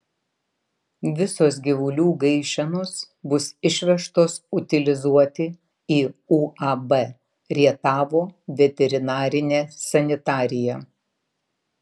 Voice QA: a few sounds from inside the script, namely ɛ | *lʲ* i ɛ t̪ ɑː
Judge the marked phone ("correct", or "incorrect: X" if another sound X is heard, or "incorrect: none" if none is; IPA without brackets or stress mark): incorrect: ɾʲ